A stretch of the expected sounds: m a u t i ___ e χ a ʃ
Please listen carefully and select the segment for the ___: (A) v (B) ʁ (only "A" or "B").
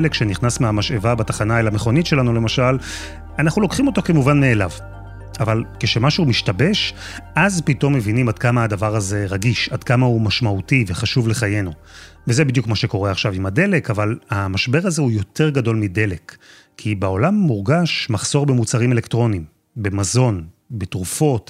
A